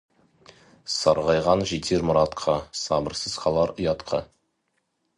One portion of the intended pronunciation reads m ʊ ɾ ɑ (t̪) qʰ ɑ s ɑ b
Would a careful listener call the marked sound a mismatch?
no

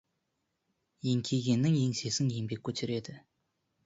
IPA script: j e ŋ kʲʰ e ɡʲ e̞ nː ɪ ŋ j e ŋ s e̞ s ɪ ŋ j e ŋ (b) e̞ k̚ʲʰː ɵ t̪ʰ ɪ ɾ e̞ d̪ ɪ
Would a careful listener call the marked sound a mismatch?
no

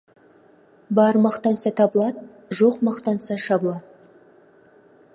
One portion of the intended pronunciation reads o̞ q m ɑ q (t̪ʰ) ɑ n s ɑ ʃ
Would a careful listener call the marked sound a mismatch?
yes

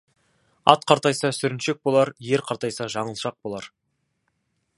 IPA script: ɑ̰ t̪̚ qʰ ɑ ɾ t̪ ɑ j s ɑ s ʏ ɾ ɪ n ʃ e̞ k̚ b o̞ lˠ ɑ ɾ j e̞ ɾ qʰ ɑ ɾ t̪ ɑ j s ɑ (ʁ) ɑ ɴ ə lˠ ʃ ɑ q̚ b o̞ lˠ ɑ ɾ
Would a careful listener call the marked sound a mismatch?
yes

